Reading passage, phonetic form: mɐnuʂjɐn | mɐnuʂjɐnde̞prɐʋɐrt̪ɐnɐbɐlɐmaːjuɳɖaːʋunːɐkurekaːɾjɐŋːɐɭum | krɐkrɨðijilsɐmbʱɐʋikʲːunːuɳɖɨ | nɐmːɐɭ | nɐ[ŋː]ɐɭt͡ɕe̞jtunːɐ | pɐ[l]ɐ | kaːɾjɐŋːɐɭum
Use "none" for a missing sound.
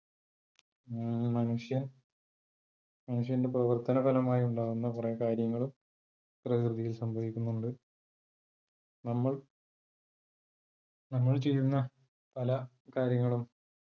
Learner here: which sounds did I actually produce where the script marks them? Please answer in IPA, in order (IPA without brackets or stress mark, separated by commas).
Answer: mː, l